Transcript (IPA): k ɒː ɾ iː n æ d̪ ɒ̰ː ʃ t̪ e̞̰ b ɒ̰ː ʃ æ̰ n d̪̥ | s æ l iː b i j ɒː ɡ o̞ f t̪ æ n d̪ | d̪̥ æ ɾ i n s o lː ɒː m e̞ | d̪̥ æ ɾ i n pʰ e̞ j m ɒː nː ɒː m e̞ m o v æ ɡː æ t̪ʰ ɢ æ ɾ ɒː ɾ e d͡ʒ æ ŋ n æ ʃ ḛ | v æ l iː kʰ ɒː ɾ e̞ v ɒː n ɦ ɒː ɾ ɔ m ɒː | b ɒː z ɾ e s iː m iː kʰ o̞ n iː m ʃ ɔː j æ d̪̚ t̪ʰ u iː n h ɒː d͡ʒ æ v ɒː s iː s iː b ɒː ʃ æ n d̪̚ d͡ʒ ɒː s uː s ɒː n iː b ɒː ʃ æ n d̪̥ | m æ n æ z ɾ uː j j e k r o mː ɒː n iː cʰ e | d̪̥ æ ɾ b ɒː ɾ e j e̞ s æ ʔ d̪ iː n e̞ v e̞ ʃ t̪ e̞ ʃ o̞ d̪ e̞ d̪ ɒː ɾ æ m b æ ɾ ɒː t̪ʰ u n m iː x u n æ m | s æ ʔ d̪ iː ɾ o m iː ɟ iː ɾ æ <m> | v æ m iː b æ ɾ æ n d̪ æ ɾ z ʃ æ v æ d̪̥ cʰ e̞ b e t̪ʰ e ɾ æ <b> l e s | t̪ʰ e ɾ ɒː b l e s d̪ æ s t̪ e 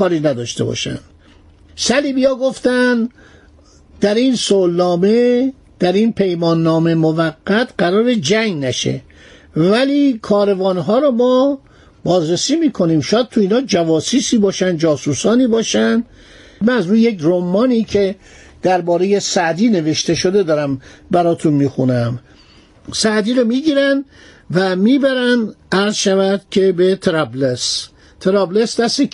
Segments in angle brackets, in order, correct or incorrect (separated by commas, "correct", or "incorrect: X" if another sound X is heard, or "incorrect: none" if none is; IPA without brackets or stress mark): incorrect: n, correct